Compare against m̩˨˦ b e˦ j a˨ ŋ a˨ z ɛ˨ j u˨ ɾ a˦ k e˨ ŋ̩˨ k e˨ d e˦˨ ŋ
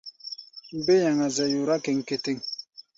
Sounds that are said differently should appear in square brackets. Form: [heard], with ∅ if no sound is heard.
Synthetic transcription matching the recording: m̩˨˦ b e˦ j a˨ ŋ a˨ z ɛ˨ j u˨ ɾ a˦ k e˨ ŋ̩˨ k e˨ [t] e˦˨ ŋ

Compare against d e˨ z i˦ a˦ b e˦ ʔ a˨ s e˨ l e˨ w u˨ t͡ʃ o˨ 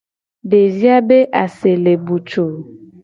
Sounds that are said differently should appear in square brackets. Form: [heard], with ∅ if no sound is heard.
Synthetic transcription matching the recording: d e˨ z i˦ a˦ b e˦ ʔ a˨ s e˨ l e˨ [b] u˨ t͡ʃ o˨

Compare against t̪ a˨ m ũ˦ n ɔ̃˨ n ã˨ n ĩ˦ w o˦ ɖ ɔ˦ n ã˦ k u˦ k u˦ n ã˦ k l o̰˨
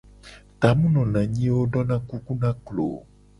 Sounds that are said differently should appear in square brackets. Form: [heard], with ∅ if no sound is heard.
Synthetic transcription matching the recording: t̪ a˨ m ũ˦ n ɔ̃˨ n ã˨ [ɲ] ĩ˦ w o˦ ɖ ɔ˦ n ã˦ k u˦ k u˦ n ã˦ k l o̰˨

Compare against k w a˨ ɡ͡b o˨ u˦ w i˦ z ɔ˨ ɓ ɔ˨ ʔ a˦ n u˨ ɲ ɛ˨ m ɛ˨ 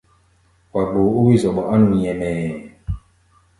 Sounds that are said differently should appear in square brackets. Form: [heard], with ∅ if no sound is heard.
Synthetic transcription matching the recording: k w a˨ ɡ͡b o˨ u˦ w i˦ z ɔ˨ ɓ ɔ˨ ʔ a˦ n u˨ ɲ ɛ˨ m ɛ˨

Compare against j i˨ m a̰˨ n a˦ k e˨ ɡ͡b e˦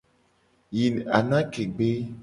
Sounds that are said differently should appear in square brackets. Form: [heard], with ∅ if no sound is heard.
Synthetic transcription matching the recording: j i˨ [n] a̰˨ n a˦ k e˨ ɡ͡b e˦

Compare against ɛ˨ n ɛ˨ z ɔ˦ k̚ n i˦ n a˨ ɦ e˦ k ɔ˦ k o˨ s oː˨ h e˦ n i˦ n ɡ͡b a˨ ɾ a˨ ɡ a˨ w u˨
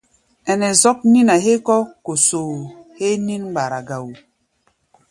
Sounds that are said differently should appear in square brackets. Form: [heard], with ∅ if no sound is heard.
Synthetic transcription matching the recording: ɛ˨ n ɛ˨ z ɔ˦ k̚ n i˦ n a˨ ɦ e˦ k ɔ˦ k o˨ s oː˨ h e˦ n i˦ n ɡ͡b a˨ ɾ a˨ ɡ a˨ w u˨

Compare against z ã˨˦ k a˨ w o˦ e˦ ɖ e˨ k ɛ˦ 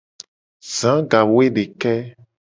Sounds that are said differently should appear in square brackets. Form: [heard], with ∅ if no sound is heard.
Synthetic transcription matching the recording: z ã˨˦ [ɡ] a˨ w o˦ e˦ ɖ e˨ k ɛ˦

